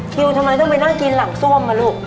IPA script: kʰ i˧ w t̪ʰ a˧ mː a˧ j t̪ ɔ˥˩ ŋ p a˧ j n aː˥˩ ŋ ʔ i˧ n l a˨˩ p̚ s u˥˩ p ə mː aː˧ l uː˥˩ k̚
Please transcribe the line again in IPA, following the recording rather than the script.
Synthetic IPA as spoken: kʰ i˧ w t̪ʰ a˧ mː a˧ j t̪ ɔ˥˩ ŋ p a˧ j n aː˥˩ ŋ k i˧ n l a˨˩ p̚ s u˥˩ ə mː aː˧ l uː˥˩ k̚

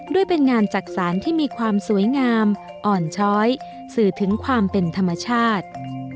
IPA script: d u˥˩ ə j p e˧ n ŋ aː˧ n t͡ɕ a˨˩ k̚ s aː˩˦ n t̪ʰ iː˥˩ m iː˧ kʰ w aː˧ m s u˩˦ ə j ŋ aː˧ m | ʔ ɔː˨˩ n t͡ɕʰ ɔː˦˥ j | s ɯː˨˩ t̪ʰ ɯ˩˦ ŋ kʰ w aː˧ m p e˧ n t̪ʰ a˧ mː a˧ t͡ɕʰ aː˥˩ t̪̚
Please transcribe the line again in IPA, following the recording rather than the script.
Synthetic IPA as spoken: d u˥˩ ə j p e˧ n ŋ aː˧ n t͡ɕ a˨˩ k̚ s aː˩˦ n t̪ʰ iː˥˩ m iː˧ kʰ w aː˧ m s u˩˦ ə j ŋ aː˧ m | ʔ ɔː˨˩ n t͡ɕʰ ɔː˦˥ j | s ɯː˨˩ t̪ʰ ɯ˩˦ ŋ kʰ w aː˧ m p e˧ n t̪ʰ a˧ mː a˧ t͡ɕʰ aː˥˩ t̪̚

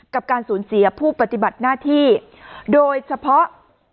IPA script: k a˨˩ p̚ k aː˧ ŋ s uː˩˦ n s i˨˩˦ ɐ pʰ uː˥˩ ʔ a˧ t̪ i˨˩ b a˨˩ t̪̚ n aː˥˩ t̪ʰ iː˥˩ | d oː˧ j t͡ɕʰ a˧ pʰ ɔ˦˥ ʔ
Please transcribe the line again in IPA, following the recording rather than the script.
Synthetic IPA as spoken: k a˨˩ p̚ k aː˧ n s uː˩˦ n s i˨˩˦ ɐ pʰ uː˥˩ p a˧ t̪ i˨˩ b a˨˩ t̪̚ n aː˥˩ t̪ʰ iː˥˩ | d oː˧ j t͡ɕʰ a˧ pʰ ɔ˦˥ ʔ

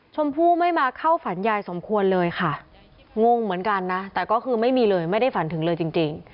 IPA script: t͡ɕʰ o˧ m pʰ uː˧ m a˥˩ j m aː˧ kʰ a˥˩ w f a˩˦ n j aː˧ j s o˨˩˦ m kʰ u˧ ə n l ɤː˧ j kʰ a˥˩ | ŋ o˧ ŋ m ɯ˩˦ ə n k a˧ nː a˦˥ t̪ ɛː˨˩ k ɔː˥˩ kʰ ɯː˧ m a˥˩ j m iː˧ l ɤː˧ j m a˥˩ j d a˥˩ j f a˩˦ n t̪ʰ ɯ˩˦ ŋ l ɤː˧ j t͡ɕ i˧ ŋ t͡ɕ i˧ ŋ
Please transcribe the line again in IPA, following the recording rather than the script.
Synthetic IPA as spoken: t͡ɕʰ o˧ m pʰ uː˥˩ m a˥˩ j m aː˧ kʰ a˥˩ w f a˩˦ n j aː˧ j s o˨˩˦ m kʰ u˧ ə n l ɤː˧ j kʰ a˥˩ | ŋ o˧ ŋ m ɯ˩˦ ə n k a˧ nː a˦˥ t̪ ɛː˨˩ k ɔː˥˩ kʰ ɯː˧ m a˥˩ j m iː˧ l ɤː˧ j m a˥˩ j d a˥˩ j f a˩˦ n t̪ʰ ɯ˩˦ ŋ l ɤː˧ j t͡ɕ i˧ ŋ t͡ɕ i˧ ŋ

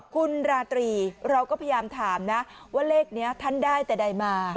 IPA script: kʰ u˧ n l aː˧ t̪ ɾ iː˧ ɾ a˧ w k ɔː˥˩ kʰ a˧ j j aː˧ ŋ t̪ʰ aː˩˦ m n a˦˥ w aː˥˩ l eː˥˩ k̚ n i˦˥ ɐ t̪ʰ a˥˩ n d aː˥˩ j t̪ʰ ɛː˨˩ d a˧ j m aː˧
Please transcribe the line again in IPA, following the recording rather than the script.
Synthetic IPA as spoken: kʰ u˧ n ɾ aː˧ t̪ ɾ iː˧ ɾ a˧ w k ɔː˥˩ pʰ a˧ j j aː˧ m t̪ʰ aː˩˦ m n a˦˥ w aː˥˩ l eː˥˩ k̚ n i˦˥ ɐ t̪ʰ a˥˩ n d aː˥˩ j t̪ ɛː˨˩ d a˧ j m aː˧

